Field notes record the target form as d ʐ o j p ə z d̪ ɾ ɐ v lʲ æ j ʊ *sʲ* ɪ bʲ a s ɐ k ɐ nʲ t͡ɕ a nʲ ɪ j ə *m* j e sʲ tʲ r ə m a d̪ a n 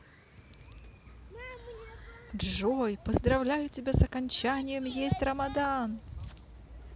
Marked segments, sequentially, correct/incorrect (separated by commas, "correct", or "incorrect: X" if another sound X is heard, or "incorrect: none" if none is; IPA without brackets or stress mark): incorrect: tʲ, correct